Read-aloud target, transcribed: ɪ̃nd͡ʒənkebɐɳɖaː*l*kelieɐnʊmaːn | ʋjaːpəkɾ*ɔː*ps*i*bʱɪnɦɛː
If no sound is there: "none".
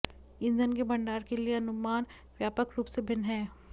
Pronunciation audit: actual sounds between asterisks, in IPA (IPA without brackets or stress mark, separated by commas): ɾ, uː, e